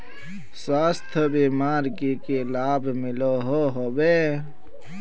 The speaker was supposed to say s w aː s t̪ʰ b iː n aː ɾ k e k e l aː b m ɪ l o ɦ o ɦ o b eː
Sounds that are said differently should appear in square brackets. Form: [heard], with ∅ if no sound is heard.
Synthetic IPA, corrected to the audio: s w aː s t̪ʰ b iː [m] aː ɾ k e k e l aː b m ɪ l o ɦ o ɦ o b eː